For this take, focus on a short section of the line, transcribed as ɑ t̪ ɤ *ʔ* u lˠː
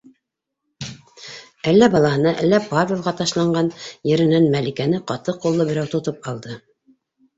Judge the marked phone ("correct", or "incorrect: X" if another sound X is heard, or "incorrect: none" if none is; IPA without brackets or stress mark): incorrect: q